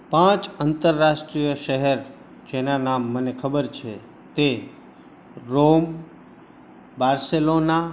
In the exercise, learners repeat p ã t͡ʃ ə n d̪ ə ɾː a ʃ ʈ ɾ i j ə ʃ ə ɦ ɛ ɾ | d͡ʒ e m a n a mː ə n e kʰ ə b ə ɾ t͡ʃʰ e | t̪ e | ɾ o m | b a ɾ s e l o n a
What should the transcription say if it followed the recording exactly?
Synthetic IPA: p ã t͡ʃ ə n t̪ ə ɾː a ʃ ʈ ɾ i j ə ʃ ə ɦ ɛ ɾ | d͡ʒ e n a n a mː ə n e kʰ ə b ə ɾ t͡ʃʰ e | t̪ e | ɾ o m | b a ɾ s e l o n a